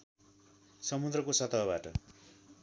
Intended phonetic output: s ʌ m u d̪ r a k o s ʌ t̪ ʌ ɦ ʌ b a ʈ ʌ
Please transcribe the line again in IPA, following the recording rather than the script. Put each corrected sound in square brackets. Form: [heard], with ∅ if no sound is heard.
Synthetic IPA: s ʌ m u d̪ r [ʌ] k o s ʌ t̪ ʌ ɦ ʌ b a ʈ ʌ